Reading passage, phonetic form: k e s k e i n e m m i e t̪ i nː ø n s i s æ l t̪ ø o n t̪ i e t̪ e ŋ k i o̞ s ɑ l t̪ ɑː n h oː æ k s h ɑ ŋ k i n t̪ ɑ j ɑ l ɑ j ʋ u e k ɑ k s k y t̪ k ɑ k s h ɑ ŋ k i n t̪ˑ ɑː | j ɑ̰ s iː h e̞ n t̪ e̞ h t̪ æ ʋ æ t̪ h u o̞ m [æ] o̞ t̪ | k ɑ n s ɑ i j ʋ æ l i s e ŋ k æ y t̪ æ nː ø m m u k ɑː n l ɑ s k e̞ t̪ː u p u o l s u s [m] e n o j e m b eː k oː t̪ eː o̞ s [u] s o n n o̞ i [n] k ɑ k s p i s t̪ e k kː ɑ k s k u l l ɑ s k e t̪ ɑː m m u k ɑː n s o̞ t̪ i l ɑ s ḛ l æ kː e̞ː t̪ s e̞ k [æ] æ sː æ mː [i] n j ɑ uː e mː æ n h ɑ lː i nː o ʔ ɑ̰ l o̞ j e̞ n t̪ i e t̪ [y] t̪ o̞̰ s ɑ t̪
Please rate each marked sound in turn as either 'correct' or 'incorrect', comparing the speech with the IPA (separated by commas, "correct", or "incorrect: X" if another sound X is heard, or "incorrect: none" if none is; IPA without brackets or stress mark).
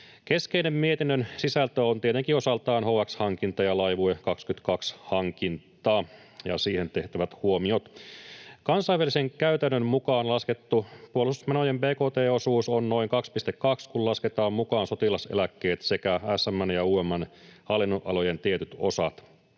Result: incorrect: i, correct, incorrect: uː, incorrect: ŋ, correct, incorrect: æ, correct